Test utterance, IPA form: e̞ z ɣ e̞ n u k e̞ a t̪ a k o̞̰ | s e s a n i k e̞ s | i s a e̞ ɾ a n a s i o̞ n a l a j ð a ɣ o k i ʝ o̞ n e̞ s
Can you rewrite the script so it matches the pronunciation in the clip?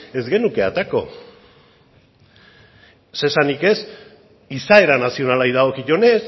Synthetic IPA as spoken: e̞ z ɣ e̞ n u k e̞ a t̪ a k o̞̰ | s e s a n i k e̞ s | i s a e̞ ɾ a n a s i o̞ n a l a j ð a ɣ o k i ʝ o̞ n e̞ s